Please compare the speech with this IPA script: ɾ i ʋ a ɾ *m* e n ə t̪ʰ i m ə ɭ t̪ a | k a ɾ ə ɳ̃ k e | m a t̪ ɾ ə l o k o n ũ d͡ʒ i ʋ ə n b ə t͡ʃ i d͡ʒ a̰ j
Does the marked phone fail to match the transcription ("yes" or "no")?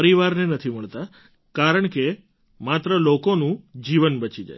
yes